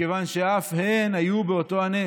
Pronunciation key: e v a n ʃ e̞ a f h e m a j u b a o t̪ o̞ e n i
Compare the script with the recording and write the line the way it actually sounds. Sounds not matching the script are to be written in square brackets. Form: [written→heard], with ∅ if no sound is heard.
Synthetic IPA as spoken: e v a n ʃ e̞ a f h e [m→n] a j u b [a→e] o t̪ o̞ [e→a] n [i→e]

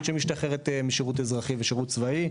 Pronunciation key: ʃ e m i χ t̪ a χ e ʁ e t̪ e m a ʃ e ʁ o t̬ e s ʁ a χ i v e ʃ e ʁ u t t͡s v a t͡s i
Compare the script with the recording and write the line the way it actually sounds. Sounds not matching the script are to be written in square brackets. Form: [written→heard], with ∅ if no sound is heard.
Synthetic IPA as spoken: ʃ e m i [χ→ʃ] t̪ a χ e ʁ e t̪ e m [a→i] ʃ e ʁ [o→u] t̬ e [s→z] ʁ a χ i v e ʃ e ʁ u t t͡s v a [t͡s→∅] i

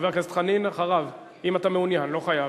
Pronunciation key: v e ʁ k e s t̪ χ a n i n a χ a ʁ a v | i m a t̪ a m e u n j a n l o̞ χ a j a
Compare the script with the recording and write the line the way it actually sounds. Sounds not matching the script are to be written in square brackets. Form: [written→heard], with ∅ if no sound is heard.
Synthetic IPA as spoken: v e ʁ k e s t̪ χ a n i n a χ a ʁ a v | i m a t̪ a m e u n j a n l o̞ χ a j a

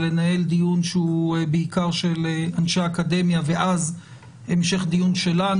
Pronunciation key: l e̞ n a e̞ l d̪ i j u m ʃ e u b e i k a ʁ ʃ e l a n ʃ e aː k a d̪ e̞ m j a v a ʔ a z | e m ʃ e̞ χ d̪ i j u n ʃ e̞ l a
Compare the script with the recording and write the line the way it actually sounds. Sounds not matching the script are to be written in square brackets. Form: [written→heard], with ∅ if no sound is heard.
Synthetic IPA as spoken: l e̞ n a e̞ l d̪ i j u [m→n] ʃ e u b e i k a ʁ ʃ e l a n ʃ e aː k a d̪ e̞ m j a v [a→e] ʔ a z | e m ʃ e̞ χ d̪ i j u n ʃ e̞ l a

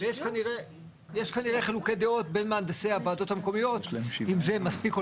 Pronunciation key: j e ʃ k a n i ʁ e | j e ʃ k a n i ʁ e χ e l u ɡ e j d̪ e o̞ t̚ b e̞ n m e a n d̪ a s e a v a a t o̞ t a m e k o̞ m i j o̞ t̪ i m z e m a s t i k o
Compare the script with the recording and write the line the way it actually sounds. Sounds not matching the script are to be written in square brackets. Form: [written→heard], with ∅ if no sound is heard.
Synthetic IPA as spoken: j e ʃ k a n i ʁ e | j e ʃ k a n i ʁ e χ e l u [ɡ→k] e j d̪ e o̞ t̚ b e̞ n m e a n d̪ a s e a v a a [t→d] o̞ t a m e k o̞ m i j o̞ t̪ i m z e m a s [t→p] i k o

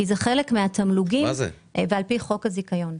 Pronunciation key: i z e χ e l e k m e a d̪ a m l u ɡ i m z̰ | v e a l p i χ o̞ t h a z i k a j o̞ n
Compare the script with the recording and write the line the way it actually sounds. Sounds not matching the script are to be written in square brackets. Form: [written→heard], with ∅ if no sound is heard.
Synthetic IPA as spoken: i z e χ e l e k m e a [d̪→t̪] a m l u ɡ i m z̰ | v e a l p i χ o̞ [t→k] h a z i k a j o̞ n

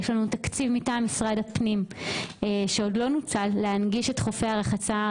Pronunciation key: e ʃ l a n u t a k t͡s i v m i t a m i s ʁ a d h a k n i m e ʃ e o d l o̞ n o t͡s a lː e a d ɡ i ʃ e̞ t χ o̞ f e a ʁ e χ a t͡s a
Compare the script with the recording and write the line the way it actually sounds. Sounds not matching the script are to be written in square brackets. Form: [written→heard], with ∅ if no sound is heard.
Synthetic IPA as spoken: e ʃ l a n u t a k t͡s i v m i t a m i s ʁ a d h a [k→p] n i m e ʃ e o d l o̞ n [o→u] t͡s a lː e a [d→n] ɡ i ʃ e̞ t χ o̞ f e a ʁ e χ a t͡s a

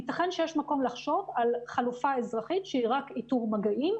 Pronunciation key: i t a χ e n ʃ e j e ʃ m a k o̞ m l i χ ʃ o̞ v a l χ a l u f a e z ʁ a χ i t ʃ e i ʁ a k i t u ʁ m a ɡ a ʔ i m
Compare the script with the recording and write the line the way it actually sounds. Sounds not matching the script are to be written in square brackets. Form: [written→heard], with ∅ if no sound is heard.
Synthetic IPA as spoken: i t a χ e n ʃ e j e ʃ m a k o̞ m l [i→a] χ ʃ o̞ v a l χ a l u f a e z ʁ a χ i t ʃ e i ʁ a k i t u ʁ m a ɡ a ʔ i m

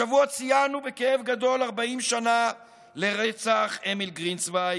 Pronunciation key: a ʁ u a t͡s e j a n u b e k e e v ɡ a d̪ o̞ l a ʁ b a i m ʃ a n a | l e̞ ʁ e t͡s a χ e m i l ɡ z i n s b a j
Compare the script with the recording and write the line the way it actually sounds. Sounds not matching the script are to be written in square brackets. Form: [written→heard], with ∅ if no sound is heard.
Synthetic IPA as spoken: a [ʁ→v] u a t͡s [e→i] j a n u b e k e e v ɡ a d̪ o̞ l a ʁ b a i m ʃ a n a | l e̞ ʁ e t͡s a χ e m i l ɡ [z→ʁ] i n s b a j

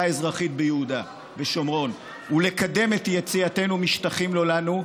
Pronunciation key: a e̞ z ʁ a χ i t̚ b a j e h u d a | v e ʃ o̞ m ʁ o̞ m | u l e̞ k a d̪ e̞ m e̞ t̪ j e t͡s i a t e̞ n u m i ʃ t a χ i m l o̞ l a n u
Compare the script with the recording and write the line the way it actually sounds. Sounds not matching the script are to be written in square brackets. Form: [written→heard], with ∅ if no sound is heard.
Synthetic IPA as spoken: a e̞ z ʁ a χ i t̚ b [a→e] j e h u d a | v e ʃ o̞ m ʁ o̞ [m→n] | u l e̞ k a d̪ e̞ m e̞ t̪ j e t͡s i a t e̞ n u m i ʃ t a χ i m l o̞ l a n u

